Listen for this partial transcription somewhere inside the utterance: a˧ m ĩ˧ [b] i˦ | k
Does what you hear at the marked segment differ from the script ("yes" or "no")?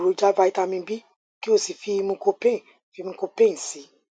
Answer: no